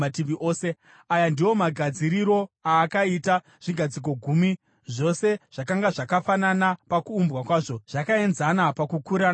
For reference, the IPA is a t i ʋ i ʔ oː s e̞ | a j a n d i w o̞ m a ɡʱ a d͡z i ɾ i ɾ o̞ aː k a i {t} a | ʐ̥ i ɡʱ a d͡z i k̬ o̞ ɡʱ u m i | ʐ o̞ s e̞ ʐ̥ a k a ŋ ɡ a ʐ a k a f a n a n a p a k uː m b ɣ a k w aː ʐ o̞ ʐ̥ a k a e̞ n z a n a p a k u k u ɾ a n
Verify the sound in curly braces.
correct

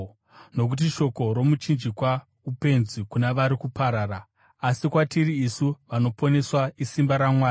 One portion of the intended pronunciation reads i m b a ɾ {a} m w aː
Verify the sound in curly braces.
correct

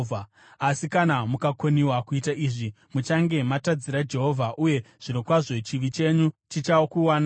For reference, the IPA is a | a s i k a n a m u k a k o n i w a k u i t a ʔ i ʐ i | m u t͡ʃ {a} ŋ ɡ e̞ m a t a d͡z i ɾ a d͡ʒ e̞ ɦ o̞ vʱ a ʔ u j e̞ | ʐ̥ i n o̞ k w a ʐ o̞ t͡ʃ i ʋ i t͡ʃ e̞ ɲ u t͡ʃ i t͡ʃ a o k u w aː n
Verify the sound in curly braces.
correct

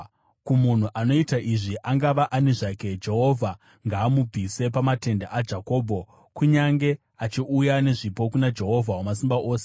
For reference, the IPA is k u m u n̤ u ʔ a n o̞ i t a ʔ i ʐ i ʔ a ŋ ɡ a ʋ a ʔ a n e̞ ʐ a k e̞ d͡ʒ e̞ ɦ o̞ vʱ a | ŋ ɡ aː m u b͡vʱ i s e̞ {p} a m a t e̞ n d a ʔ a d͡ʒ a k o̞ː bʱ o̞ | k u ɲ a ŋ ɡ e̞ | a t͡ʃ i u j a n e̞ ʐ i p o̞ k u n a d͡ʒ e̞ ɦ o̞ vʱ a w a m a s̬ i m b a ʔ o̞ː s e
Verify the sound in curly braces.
correct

